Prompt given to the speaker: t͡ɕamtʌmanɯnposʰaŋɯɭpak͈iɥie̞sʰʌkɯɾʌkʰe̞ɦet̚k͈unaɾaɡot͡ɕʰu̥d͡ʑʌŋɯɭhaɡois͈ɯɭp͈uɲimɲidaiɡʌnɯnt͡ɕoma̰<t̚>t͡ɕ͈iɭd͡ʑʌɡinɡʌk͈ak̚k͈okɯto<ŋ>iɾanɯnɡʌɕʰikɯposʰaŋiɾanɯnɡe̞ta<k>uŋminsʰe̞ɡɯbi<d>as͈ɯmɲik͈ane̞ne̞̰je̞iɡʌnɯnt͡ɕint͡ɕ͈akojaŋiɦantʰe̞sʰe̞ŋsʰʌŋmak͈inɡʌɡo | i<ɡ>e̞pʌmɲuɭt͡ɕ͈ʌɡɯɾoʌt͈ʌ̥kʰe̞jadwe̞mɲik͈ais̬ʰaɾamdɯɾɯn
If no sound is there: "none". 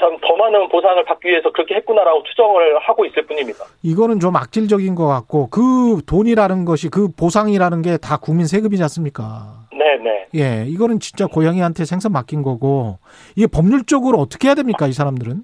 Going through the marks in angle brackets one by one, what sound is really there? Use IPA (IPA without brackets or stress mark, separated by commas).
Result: k̚, ɲ, k, d͡ʑ, ɡ